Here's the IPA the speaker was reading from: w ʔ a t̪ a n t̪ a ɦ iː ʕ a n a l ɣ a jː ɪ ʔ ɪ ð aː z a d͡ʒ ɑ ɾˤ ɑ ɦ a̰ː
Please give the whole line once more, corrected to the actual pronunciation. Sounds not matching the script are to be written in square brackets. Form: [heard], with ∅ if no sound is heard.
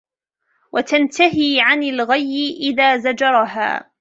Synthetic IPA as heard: w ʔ a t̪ a n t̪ a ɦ iː ʕ a n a l ɣ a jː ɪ ʔ ɪ ð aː z a d͡ʒ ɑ ɾˤ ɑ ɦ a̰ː